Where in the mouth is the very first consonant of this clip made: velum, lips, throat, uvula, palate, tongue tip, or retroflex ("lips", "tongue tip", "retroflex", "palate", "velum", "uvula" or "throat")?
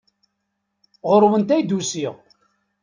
uvula